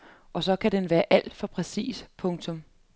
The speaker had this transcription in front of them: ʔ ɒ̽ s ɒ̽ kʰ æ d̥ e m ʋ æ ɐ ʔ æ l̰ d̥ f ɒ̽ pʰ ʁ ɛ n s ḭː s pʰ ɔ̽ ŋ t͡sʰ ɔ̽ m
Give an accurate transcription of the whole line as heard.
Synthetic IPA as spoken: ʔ ɒ̽ s ɒ̽ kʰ æ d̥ e n ʋ æː ɐ ʔ æ l̰ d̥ f ɒ̽ pʰ ʁ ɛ s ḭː s pʰ ɔ̽ ŋ t͡sʰ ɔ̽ m